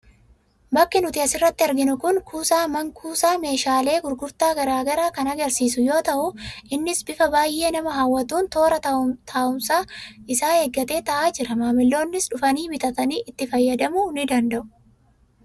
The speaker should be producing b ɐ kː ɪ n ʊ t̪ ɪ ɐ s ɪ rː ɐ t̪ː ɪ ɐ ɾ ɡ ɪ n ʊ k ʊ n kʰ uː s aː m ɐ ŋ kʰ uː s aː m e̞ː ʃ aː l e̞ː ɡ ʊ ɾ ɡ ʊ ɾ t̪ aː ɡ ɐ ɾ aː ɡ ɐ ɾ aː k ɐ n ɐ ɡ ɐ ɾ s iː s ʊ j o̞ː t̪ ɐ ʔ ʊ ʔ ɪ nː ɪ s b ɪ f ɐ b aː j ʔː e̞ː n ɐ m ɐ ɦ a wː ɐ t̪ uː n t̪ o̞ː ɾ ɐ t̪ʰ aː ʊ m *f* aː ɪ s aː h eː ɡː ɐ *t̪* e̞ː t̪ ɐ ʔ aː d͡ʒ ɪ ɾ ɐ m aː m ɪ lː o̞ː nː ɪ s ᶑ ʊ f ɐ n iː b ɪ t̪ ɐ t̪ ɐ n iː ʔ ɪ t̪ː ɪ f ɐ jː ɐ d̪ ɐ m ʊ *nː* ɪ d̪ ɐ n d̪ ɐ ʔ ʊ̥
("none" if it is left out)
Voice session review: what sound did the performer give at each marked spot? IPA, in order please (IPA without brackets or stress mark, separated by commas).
s, t̪, n